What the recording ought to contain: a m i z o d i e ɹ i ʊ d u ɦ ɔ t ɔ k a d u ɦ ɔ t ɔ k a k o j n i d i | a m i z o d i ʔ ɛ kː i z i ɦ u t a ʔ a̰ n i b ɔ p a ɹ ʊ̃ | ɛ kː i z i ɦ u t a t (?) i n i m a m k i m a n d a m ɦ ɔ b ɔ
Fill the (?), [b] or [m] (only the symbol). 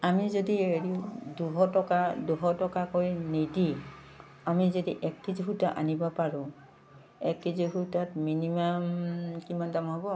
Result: m